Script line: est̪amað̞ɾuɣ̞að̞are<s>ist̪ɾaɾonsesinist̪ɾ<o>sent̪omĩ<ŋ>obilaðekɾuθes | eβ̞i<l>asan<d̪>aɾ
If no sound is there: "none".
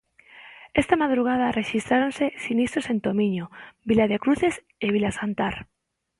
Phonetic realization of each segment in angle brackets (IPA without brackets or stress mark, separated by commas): ʃ, o, ɲ, l, t̪